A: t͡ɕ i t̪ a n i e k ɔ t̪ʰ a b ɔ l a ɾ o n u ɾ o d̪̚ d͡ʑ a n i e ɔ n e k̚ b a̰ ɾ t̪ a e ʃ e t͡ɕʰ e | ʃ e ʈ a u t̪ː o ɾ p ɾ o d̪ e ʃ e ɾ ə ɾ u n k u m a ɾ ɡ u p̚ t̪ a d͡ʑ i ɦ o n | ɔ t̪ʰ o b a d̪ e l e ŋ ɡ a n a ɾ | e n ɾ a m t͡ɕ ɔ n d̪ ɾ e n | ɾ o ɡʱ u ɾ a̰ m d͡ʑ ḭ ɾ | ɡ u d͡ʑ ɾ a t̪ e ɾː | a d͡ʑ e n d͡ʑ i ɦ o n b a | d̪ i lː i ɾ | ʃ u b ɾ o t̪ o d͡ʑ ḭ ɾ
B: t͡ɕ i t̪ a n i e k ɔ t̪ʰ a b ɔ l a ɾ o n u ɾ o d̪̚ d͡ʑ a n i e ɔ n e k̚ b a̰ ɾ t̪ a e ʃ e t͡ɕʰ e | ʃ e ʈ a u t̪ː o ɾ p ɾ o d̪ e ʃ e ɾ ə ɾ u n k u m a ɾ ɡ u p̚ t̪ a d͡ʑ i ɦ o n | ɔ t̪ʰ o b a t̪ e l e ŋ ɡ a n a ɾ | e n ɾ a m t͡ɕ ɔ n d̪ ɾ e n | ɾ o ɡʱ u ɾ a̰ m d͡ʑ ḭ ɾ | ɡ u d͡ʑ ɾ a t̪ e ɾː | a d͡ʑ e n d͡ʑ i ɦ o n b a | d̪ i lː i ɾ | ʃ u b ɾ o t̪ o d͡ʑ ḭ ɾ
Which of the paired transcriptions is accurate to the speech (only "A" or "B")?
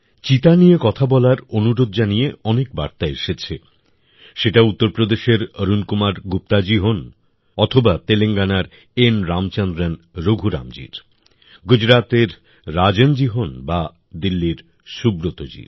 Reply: B